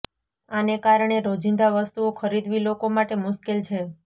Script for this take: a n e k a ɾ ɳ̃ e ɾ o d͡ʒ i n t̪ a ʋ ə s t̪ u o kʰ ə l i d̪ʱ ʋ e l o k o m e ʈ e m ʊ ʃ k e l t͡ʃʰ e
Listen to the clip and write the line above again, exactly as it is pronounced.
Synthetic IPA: a n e k a ɾ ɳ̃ e ɾ o d͡ʒ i n d̪ a ʋ ə s t̪ u o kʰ ə ɾ i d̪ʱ ʋ i l o k o m a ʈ e m ʊ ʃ k e l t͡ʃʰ e

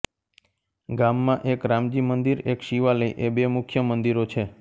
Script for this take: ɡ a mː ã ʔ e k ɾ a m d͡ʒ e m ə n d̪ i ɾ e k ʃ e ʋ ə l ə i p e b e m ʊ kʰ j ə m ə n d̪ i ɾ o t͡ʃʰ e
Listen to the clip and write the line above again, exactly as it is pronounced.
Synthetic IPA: ɡ a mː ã ʔ e k ɾ a m d͡ʒ i m ə n d̪ i ɾ e k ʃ i ʋ a l ə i ʔ e b e m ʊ kʰ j ə m ə n d̪ i ɾ o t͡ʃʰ e

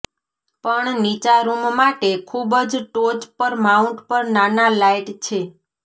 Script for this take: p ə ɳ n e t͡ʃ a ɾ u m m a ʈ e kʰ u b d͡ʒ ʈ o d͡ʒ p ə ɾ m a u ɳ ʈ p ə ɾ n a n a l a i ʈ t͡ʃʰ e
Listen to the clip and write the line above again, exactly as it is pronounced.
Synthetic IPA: p ə ɳ n i t͡ʃ a ɾ u m m a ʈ e kʰ u b d͡ʒ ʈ o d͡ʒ p ə ɾ m a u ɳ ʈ p ə ɾ n a n a l a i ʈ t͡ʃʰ e

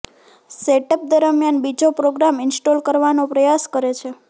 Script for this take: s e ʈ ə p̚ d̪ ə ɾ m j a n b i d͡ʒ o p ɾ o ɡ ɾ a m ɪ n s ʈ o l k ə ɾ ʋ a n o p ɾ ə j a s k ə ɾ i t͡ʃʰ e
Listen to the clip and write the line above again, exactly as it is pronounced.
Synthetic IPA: s e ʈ ə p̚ d̪ ə ɾ m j a n b i d͡ʒ o p ɾ o ɡ ɾ a m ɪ n s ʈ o l k ə ɾ ʋ a n o p ɾ ə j a s k ə ɾ e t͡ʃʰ e

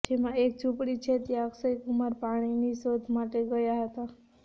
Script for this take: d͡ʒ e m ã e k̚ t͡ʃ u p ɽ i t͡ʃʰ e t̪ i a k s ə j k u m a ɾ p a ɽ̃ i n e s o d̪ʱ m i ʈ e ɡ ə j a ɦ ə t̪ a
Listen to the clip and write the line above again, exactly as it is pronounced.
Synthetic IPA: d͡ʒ e m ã e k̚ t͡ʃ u p ɽ i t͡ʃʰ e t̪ j a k s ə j k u m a ɾ p a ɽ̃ i n i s o d̪ʱ m a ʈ e ɡ ə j a ɦ ə t̪ a

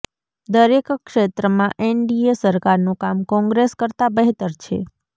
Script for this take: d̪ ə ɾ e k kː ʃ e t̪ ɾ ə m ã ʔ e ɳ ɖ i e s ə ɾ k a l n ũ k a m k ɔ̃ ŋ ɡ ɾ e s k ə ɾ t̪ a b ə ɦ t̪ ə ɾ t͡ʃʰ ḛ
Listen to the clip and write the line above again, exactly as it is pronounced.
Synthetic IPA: d̪ ə ɾ e k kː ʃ e t̪ ɾ ə m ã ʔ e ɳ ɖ i e s ə ɾ k a ɾ n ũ k a m k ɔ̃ ŋ ɡ ɾ e s k ə ɾ t̪ a b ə ɦ t̪ ə ɾ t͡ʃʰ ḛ

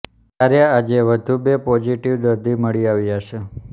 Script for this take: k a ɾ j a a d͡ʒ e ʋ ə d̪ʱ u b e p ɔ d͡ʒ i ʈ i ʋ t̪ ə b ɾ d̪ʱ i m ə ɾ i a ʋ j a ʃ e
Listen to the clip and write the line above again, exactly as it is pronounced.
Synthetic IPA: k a ɾ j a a d͡ʒ e ʋ ə d̪ʱ u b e p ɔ d͡ʒ i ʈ i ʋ d̪ ə ɾ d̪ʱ i m ə ɭ i a ʋ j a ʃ e

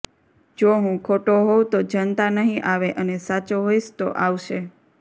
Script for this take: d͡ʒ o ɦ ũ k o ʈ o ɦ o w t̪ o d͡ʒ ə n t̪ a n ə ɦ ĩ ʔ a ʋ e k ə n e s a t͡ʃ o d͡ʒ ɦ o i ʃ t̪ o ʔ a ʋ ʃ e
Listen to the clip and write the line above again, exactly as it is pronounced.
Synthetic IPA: d͡ʒ o ɦ ũ kʰ o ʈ o ɦ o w t̪ o d͡ʒ ə n t̪ a n ə ɦ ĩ ʔ a ʋ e ʔ ə n e s a t͡ʃ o ɦ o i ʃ t̪ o ʔ a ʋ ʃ e

